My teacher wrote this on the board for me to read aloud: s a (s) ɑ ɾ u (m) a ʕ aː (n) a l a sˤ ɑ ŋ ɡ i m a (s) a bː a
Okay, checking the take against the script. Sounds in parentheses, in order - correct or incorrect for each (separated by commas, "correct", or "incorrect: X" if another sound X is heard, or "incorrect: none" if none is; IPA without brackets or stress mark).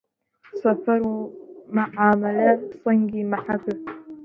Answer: incorrect: f, correct, incorrect: m, incorrect: ħ